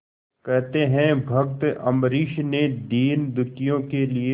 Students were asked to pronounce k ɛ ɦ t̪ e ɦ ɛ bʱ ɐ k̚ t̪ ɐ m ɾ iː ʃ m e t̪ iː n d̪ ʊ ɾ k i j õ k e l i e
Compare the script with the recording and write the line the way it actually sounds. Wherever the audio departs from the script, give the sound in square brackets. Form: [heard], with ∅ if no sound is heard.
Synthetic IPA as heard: k ɛ ɦ t̪ e ɦ [ɛ̃] bʱ ɐ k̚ t̪ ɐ m ɾ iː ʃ [n] e [d̪] iː n d̪ ʊ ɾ k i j õ k e l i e